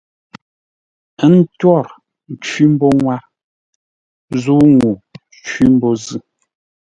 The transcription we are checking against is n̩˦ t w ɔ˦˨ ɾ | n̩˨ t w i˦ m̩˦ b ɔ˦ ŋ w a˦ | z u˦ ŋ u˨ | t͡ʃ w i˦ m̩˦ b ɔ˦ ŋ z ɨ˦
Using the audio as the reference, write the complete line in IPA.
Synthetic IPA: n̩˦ t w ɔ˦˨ ɾ | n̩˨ t͡ʃ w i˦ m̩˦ b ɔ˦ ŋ w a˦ | z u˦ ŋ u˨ | t͡ʃ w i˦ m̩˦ b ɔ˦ z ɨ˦